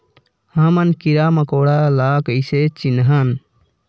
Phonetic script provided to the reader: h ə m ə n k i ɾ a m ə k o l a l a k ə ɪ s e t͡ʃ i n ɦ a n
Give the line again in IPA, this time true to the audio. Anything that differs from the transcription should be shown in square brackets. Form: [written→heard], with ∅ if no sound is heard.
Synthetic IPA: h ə m ə n k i ɾ a m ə k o [l→ɽ] a l a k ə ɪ s e t͡ʃ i n ɦ [a→ə] n